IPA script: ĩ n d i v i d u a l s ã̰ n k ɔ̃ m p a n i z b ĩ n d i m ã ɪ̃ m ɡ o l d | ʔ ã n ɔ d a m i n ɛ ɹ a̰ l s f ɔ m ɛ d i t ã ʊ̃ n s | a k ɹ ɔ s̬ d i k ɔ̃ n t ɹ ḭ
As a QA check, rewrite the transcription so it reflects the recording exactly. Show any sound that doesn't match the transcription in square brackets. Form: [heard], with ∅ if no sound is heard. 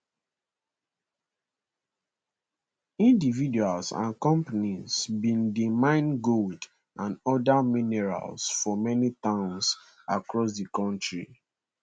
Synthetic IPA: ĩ n d i v i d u a l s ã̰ n k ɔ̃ m p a n i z b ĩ n d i m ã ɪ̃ [n] ɡ o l d | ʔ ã n ɔ d a m i n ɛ ɹ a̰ l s f ɔ m ɛ [n] i t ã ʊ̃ n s | a k ɹ ɔ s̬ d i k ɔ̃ n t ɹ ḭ